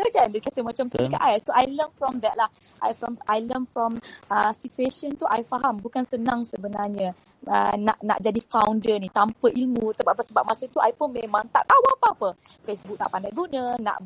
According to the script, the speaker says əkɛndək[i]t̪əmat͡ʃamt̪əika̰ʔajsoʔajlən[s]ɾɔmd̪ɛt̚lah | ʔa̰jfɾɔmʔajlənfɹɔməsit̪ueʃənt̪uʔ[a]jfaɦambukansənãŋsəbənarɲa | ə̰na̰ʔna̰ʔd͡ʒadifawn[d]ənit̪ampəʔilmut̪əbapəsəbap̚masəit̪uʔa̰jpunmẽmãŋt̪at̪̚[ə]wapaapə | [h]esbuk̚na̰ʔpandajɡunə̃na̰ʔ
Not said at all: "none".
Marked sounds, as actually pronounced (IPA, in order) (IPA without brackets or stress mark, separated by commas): a, f, a, d, a, f